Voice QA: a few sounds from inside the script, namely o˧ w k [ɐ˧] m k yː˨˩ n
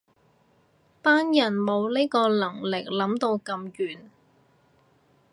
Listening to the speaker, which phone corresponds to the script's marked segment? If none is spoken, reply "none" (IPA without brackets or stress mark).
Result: ɐ˧